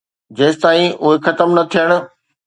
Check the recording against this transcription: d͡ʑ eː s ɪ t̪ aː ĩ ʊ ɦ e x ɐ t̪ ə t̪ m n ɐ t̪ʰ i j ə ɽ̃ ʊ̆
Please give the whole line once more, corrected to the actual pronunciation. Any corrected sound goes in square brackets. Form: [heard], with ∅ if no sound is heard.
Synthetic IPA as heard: d͡ʑ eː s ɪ t̪ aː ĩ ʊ ɦ e x ɐ t̪ ə [∅] m n ɐ t̪ʰ i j ə ɽ̃ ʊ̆